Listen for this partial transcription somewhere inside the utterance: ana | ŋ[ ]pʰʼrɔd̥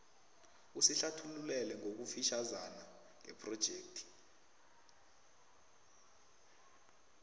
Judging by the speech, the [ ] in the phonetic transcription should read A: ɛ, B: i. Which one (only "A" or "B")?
A